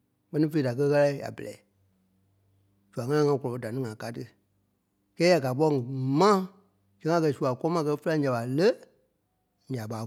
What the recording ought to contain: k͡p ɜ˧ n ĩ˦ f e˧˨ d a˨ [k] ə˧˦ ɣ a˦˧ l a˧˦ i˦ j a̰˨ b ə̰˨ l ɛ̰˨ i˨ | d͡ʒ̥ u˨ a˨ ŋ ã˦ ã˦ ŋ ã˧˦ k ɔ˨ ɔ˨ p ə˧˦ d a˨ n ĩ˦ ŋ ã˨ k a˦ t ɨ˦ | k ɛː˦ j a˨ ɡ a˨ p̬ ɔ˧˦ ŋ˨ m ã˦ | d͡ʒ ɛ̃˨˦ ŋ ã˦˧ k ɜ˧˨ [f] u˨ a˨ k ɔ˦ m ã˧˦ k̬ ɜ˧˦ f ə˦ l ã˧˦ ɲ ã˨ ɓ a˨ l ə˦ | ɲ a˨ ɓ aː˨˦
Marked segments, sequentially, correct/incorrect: correct, incorrect: s

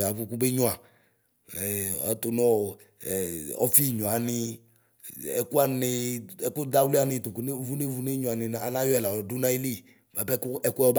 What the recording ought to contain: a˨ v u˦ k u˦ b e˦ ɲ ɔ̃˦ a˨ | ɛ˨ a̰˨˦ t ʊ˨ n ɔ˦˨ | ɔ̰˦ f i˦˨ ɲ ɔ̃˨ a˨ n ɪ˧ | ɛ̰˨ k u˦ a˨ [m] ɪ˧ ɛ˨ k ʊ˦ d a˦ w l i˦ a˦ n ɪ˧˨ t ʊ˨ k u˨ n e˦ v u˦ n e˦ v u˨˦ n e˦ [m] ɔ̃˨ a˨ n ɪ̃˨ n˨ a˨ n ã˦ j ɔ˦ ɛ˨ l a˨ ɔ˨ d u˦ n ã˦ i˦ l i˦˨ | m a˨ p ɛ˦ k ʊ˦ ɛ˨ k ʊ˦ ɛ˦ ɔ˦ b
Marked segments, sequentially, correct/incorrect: incorrect: n, incorrect: ɲ

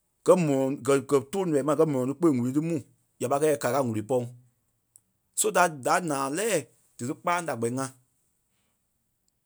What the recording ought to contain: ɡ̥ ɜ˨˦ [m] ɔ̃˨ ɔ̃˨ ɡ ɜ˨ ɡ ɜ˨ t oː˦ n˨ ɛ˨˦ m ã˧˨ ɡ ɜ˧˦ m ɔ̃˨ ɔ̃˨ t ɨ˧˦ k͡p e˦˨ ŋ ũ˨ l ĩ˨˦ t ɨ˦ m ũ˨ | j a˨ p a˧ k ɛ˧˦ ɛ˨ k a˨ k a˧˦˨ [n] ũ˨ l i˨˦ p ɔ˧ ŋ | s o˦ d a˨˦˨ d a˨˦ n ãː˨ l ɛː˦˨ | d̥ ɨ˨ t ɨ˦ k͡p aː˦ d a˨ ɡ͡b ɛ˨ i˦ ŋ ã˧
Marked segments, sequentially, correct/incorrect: correct, incorrect: ŋ

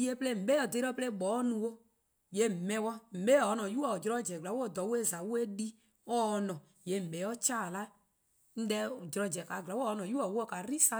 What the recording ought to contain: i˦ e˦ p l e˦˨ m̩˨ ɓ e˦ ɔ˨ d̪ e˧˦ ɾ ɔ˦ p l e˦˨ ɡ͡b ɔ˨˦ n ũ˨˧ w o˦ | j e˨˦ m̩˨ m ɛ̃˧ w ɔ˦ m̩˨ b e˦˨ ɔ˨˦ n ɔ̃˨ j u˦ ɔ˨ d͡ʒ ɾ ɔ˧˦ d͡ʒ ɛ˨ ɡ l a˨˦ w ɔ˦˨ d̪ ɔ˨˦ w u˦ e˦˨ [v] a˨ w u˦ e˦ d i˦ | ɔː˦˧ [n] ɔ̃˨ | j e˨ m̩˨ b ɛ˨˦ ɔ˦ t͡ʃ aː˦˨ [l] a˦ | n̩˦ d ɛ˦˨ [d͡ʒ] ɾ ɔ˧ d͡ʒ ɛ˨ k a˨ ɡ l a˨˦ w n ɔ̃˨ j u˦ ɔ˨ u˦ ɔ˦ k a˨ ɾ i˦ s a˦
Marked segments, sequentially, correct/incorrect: incorrect: z, correct, correct, correct

